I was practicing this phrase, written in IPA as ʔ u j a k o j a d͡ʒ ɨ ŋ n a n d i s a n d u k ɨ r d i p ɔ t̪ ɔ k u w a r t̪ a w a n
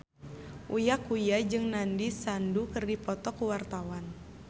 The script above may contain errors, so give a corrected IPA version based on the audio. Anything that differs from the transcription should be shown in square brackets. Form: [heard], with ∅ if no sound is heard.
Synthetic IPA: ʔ u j a k [u] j a d͡ʒ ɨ ŋ n a n d i s a n d u k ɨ r d i p ɔ t̪ ɔ k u w a r t̪ a w a n